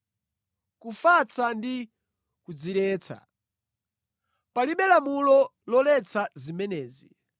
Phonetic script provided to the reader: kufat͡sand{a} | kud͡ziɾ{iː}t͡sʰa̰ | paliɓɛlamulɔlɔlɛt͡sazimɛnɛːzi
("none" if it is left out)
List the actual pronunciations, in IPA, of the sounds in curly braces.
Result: i, ɛː

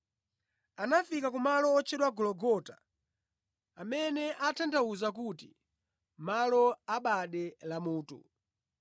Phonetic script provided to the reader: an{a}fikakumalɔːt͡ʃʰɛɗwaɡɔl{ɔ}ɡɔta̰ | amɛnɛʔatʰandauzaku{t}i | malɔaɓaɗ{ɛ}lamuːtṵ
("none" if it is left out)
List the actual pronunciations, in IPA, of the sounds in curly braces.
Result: a, ɔ, t, ɛ

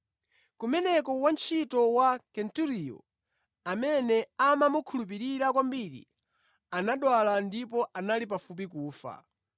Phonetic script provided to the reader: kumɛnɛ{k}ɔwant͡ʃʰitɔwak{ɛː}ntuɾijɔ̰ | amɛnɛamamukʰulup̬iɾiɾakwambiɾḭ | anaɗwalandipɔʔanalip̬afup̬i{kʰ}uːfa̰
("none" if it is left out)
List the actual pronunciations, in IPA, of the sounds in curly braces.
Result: k, ɛ, k

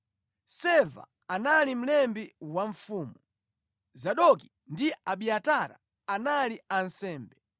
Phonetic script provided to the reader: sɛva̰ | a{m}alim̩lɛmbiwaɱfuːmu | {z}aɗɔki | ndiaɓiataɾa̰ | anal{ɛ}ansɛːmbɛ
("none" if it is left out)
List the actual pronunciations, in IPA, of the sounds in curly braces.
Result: n, z, i

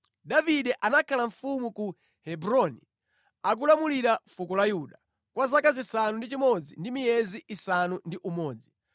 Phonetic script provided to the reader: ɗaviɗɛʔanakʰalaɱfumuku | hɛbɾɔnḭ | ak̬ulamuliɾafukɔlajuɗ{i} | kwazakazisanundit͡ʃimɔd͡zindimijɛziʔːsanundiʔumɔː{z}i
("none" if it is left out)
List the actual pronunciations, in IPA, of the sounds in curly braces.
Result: a, d͡z

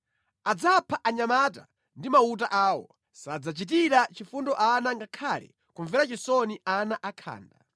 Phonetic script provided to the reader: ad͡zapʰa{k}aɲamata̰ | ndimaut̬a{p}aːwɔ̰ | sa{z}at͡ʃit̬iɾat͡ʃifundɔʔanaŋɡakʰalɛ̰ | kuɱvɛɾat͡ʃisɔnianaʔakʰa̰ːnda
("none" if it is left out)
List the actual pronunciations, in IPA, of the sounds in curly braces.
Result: ʔ, ʔ, d͡z

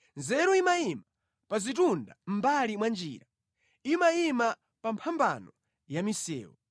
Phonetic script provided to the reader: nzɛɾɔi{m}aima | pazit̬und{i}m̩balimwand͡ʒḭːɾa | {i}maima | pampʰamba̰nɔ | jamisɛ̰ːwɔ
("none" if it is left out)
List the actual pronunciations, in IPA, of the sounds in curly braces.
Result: m, a, i

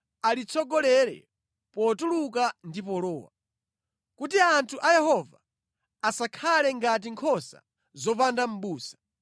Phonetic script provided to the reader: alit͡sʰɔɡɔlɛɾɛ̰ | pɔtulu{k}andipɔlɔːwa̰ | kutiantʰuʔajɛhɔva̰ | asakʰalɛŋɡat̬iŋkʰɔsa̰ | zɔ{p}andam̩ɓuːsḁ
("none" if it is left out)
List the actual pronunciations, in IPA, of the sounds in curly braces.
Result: k, p

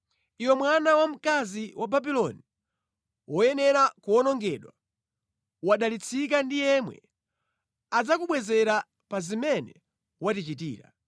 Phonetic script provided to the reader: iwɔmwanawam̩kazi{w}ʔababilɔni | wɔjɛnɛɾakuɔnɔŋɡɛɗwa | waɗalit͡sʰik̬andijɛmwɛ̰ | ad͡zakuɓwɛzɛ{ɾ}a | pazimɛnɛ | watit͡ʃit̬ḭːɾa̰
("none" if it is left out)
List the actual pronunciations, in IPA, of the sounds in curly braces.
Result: w, ɾ

